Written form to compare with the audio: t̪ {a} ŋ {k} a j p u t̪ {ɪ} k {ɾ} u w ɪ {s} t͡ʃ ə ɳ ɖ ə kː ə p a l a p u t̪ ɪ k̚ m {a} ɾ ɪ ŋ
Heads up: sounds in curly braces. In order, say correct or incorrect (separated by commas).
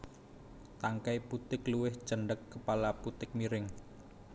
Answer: correct, correct, correct, incorrect, incorrect, incorrect